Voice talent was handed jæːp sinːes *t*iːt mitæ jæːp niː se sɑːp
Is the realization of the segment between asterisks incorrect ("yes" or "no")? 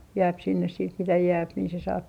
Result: yes